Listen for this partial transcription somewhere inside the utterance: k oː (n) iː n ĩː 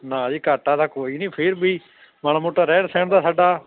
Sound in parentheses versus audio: incorrect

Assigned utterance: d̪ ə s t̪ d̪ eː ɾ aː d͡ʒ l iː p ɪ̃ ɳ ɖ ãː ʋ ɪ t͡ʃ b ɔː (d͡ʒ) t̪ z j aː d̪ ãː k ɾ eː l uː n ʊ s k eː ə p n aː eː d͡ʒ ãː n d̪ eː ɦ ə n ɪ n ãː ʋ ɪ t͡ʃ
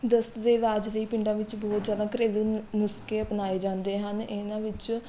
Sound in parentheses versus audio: incorrect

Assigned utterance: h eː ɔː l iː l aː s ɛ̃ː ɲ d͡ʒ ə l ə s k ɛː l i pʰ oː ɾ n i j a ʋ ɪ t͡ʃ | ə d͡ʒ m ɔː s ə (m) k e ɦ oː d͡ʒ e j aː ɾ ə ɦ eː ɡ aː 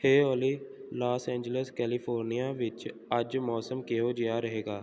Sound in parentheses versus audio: correct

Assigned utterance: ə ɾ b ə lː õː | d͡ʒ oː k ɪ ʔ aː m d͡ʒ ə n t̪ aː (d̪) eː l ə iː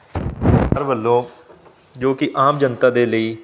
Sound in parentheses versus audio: correct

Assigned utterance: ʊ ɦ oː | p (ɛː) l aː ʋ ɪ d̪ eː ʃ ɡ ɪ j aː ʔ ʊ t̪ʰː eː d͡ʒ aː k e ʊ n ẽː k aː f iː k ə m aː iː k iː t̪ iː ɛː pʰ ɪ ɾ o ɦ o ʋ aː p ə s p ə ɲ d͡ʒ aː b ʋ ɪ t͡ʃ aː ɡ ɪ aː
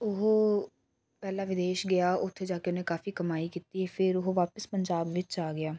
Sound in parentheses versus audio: correct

